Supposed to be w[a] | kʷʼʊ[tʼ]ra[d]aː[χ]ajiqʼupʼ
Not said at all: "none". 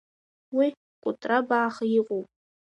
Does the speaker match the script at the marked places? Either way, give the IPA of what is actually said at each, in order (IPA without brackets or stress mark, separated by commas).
i, tʼ, b, χ